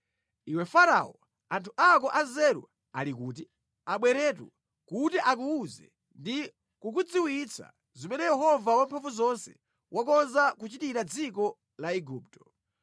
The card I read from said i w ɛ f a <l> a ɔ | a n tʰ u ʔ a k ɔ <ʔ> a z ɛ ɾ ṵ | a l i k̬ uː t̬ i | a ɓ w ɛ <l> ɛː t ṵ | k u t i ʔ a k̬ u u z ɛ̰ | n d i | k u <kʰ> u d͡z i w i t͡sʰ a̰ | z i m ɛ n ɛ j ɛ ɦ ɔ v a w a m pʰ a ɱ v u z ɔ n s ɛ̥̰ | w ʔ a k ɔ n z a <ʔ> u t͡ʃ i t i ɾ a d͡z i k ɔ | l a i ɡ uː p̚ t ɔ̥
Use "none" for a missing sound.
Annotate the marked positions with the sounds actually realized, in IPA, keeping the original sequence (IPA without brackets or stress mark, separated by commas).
ɾ, ʔ, ɾ, k, k